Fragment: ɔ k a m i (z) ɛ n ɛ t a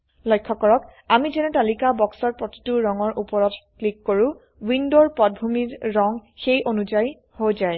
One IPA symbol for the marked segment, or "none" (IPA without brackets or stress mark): z